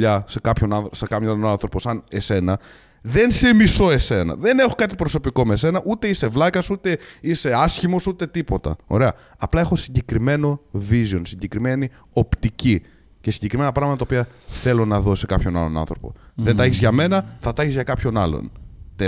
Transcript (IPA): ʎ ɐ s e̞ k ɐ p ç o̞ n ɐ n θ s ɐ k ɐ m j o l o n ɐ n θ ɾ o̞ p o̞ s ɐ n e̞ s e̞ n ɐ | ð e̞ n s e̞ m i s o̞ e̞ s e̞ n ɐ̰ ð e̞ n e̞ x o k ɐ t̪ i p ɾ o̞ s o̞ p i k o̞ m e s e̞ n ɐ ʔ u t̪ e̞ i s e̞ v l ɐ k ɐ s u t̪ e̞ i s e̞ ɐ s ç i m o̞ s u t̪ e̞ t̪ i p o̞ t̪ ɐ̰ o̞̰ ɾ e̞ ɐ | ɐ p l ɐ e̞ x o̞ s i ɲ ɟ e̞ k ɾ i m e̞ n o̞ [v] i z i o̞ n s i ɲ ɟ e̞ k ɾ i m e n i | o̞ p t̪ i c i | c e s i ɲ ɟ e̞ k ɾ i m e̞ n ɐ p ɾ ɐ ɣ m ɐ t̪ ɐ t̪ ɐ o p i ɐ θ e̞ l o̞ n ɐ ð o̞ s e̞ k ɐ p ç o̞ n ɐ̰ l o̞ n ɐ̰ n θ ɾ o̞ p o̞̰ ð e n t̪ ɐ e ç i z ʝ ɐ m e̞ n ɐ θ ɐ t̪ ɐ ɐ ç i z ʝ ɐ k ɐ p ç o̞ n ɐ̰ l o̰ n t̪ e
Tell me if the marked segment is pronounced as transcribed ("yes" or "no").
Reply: yes